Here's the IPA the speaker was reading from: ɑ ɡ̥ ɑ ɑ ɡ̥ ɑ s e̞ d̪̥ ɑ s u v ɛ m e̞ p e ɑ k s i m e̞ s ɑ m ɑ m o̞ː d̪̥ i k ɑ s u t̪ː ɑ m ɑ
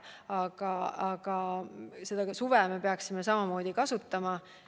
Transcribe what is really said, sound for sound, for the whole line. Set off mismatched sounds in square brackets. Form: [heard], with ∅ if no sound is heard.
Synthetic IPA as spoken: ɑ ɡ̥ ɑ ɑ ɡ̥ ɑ s e̞ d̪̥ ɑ s u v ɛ m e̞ p e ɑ k s i m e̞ s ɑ m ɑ m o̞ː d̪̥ i k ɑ s u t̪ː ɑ m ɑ